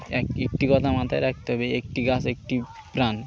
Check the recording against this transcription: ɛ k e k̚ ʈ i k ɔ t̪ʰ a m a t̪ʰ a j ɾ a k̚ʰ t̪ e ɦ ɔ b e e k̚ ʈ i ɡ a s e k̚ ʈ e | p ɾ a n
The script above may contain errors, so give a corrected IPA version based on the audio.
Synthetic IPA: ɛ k e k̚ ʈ i k ɔ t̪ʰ a m a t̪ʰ a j ɾ a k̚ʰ t̪ e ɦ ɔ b e e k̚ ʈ i ɡ a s e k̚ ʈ i | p ɾ a n